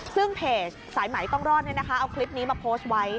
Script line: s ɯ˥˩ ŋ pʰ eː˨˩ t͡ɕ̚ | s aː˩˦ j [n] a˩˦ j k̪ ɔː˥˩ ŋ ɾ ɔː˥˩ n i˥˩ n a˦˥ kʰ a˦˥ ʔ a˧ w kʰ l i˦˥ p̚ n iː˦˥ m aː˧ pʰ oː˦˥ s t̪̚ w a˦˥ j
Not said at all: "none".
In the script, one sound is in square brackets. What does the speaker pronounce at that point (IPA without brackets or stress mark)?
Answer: m